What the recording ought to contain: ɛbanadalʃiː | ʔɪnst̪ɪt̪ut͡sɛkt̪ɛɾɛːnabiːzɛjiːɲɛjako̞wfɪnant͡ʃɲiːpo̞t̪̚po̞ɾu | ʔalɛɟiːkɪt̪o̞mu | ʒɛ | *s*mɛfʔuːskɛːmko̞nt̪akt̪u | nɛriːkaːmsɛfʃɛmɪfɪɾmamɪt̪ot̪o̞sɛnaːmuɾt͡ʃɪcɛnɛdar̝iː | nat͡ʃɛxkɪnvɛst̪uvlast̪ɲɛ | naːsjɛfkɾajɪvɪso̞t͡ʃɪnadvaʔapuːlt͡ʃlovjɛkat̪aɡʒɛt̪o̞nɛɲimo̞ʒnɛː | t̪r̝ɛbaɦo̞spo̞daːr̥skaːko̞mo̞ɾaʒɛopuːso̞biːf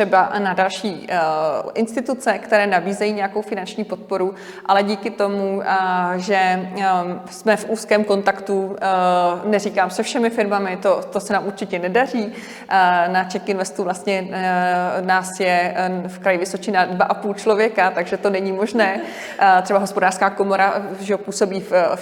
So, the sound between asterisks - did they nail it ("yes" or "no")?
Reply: yes